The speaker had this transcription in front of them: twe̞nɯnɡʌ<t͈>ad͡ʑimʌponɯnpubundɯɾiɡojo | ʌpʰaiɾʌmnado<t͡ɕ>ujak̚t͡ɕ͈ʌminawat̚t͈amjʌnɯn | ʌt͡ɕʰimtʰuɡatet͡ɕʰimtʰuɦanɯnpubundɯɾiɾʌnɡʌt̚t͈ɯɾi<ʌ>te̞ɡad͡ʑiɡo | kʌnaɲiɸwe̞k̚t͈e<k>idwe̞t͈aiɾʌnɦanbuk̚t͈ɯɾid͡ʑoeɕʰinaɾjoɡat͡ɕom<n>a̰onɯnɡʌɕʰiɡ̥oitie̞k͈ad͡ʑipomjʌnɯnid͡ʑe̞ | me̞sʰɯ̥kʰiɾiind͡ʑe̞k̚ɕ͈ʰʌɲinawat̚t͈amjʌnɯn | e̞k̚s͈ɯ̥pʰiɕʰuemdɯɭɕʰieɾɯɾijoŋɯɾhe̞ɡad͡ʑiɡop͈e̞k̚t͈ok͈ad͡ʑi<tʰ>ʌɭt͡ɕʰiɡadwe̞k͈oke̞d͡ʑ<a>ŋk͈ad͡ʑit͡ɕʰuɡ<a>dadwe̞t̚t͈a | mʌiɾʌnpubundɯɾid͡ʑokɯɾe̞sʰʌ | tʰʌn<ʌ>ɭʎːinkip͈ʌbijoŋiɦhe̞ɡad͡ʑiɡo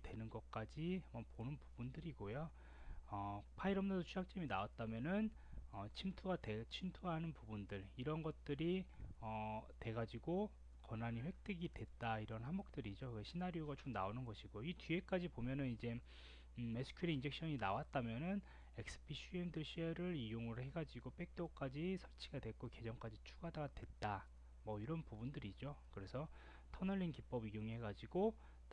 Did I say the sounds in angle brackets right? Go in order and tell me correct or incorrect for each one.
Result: incorrect, incorrect, correct, incorrect, correct, incorrect, incorrect, correct, correct

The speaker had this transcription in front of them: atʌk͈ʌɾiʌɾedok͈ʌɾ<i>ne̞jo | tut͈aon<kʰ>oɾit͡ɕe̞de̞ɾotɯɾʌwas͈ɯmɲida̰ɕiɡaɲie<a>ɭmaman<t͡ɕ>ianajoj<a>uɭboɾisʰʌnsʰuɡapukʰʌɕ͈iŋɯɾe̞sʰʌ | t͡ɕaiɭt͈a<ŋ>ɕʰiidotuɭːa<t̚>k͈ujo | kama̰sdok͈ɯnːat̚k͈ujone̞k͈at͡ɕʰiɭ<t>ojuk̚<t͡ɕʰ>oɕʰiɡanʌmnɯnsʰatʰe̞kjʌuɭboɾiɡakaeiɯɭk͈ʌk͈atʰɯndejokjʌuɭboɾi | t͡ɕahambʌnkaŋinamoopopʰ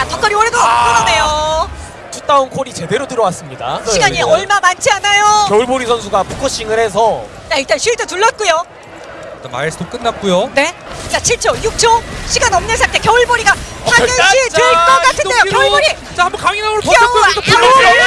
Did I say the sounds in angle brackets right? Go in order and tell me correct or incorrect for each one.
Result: incorrect, correct, incorrect, incorrect, incorrect, incorrect, correct, incorrect, correct

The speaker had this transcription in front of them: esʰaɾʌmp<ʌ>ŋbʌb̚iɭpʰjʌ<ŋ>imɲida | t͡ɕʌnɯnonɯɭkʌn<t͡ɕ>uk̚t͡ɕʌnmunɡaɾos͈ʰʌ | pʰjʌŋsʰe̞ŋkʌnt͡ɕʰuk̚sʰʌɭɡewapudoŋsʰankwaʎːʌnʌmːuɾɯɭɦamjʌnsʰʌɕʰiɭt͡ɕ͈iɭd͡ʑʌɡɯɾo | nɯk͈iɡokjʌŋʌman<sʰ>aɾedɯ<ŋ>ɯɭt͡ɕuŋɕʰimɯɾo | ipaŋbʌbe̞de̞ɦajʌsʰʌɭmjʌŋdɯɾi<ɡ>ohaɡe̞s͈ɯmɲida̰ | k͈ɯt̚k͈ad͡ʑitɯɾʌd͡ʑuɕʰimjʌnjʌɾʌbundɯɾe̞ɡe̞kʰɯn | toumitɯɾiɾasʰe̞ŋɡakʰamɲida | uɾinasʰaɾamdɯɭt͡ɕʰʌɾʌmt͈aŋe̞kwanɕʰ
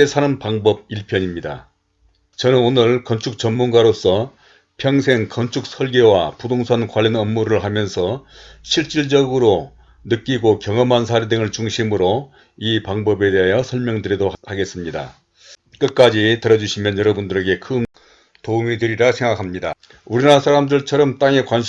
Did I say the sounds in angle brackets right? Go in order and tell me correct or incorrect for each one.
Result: incorrect, incorrect, incorrect, correct, correct, incorrect

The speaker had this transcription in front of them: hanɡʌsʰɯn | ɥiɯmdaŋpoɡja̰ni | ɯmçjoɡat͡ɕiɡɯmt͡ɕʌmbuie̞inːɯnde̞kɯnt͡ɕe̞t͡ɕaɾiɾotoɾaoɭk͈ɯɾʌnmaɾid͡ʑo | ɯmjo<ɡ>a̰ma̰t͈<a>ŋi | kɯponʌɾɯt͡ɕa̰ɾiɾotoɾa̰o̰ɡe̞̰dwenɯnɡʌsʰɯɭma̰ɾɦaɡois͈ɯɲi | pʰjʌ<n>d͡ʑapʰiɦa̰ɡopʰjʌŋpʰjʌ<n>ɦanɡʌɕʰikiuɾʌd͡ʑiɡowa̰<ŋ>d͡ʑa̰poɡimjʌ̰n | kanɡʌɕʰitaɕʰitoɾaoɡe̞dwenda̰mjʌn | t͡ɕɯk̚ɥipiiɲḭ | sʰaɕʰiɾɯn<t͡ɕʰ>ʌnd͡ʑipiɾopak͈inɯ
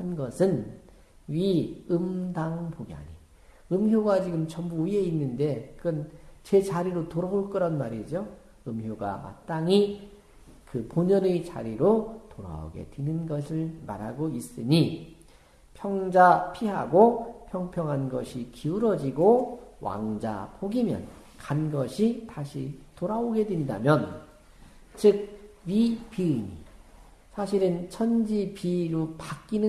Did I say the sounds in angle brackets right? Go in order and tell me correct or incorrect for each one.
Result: correct, correct, incorrect, incorrect, correct, correct

